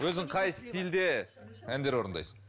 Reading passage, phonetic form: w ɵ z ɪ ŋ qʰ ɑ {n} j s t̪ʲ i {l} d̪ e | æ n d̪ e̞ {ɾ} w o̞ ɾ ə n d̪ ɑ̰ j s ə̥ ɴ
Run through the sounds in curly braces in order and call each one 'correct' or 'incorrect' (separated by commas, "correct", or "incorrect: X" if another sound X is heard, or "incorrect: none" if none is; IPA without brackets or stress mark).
incorrect: none, correct, correct